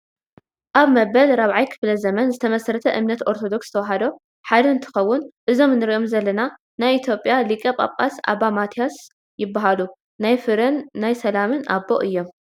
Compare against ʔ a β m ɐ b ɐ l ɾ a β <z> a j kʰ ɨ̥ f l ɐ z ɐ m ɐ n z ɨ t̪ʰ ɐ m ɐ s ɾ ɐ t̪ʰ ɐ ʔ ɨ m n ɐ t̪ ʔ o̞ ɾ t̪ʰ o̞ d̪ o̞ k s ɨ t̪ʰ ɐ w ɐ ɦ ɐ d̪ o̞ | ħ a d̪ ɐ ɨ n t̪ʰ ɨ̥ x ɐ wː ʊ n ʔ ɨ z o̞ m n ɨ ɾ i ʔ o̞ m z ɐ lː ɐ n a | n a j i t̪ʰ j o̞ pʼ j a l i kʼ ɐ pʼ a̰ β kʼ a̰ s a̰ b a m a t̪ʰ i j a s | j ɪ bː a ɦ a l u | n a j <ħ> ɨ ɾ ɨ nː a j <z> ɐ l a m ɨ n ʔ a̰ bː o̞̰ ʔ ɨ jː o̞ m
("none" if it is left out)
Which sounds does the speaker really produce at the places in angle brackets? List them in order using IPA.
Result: ʕ, f, s

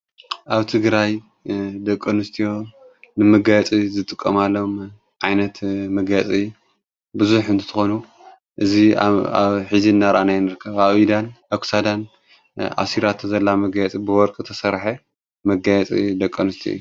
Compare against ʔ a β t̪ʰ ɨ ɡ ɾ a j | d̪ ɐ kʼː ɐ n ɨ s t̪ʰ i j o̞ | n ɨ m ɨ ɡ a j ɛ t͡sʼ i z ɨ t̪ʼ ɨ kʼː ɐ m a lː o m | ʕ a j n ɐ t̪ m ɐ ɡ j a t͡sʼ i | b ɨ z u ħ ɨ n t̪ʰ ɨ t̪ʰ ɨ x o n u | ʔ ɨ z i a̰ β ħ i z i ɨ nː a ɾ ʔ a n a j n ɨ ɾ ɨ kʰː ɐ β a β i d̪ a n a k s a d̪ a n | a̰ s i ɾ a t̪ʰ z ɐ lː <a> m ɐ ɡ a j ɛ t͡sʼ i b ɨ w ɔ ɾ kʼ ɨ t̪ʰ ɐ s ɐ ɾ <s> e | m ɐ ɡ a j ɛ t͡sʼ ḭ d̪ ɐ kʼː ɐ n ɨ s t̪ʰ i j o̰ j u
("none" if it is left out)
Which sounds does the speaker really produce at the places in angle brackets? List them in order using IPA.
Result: a, ħ

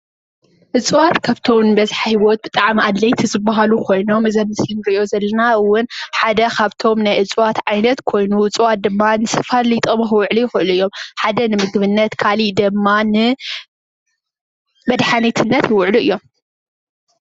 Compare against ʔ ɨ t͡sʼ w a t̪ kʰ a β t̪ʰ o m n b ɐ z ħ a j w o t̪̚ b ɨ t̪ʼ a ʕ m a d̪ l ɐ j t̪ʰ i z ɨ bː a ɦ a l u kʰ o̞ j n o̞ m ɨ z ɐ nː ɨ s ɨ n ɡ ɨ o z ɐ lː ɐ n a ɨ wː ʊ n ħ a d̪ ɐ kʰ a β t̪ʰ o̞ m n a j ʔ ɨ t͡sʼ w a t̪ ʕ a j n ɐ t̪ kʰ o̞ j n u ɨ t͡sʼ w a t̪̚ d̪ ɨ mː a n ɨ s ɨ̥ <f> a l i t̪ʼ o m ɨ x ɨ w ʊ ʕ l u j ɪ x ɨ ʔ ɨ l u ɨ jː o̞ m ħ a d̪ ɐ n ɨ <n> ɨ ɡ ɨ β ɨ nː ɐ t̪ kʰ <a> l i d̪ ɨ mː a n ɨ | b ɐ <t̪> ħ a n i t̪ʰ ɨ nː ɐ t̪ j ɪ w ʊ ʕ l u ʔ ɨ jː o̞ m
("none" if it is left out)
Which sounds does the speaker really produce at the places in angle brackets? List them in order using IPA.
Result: f, m, a, d̪

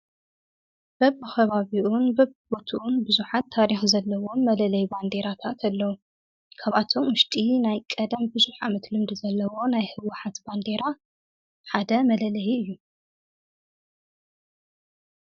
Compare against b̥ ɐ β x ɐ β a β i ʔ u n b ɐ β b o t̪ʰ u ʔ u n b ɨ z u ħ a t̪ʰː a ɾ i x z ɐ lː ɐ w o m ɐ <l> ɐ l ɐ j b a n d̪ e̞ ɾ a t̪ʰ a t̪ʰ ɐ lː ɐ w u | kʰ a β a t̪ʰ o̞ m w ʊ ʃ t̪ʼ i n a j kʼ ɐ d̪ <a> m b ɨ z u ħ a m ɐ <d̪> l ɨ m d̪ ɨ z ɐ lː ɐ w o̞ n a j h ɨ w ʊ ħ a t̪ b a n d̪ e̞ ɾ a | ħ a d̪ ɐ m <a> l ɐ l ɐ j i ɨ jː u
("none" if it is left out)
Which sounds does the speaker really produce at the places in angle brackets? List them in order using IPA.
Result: l, ɐ, t̪, ɐ

